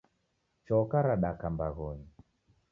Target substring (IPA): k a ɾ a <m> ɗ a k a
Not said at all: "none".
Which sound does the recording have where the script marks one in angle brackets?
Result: none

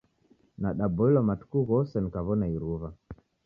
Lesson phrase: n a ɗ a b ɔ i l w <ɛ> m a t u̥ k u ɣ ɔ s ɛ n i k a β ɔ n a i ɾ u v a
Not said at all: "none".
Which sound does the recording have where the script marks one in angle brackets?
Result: a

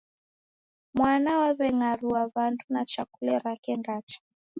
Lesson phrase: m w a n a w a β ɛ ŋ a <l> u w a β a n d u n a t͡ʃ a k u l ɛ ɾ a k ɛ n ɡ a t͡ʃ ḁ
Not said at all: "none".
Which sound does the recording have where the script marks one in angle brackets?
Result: ɾ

